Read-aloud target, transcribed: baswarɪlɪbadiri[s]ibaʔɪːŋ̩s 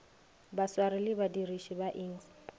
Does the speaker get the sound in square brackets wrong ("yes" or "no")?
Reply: yes